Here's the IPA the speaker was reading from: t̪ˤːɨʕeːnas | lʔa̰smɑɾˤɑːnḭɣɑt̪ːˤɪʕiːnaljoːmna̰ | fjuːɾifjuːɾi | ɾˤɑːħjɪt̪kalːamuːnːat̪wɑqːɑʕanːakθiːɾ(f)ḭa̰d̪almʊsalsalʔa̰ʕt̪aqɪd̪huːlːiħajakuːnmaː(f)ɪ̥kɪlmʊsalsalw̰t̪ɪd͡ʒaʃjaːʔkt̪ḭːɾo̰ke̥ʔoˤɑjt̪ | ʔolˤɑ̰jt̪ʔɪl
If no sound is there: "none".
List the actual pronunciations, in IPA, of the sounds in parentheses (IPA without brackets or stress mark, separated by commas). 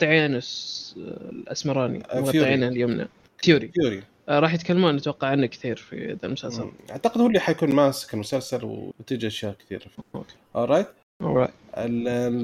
f, s